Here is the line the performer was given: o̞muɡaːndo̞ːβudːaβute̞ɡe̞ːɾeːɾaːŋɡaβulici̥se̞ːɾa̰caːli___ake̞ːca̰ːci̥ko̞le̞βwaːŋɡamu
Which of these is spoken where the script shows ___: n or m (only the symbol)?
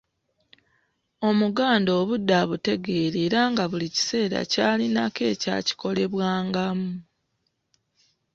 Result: n